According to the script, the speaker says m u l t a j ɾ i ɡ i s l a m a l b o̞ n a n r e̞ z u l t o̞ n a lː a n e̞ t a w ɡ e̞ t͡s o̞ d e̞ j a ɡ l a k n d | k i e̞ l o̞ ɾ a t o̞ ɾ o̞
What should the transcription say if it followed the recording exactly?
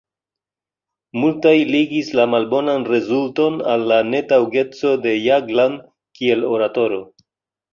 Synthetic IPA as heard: m u l t a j l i ɡ i s l a m a l b o̞ n a n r e̞ z u l t o̞ n a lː a n e̞ t a w ɡ e̞ t͡s o̞ d e̞ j a ɡ l a n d | k i e̞ l o̞ ɾ a t o̞ ɾ o̞